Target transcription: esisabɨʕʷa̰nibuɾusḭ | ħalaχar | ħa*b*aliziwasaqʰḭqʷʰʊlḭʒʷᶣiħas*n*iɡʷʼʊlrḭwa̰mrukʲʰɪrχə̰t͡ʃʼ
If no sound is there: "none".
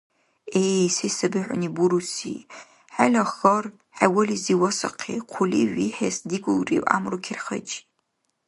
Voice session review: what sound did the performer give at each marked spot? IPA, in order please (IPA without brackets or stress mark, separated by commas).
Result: w, d